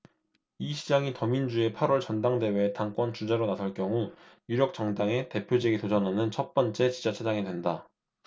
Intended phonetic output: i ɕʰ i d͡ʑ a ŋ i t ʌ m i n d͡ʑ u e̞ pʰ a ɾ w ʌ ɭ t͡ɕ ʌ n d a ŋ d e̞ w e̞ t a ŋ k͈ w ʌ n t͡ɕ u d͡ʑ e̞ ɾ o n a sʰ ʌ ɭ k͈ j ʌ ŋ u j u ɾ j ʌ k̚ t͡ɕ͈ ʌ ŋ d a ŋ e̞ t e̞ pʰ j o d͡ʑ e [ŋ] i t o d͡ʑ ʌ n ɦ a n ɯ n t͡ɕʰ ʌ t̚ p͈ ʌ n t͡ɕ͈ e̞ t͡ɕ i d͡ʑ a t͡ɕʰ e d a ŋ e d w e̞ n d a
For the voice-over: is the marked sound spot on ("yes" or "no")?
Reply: no